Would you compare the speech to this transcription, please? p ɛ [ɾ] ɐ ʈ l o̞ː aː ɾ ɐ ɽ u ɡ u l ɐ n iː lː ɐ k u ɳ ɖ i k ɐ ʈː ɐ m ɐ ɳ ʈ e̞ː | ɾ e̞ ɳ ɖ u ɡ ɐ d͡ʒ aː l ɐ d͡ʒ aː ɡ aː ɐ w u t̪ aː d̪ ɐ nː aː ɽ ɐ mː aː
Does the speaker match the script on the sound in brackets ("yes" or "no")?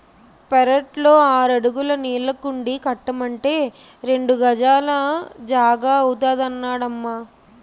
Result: yes